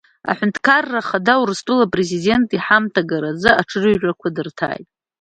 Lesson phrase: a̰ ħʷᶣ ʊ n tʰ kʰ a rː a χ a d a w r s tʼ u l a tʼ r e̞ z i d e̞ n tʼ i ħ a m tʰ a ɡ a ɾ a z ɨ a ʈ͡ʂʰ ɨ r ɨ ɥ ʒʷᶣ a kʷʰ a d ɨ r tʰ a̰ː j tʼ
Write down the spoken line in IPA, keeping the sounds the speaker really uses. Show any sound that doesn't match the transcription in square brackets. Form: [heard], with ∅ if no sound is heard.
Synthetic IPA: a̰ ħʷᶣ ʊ n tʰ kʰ a rː a χ a d a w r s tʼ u l a [pʼ] r e̞ z i d e̞ n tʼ i ħ a m tʰ a ɡ a ɾ a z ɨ a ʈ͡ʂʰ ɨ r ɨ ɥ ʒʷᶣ a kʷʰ a d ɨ r tʰ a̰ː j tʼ